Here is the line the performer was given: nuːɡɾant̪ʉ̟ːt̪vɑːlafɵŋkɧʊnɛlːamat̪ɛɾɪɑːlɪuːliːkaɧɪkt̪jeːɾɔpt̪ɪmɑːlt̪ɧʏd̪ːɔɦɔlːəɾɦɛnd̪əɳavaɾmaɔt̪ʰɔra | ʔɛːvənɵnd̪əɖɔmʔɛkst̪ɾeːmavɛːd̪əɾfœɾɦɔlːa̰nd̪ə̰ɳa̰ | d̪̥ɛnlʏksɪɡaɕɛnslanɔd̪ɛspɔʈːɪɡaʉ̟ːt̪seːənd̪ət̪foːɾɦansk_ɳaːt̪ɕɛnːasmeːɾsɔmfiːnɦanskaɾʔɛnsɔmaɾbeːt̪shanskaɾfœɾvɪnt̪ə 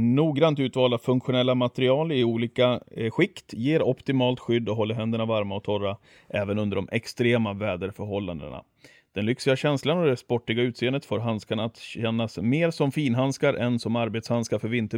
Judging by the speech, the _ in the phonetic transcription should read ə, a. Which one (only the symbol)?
a